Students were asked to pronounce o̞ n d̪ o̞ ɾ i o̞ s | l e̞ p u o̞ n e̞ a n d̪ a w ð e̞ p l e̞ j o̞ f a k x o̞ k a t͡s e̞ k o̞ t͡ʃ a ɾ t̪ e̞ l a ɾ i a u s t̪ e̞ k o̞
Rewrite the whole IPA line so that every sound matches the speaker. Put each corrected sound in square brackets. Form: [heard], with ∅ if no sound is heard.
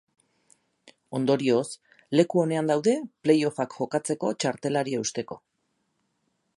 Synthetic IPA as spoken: o̞ n d̪ o̞ ɾ i o̞ s | l e̞ [k] u o̞ n e̞ a n d̪ a w ð e̞ p l e̞ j o̞ f a k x o̞ k a t͡s e̞ k o̞ t͡ʃ a ɾ t̪ e̞ l a ɾ i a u s t̪ e̞ k o̞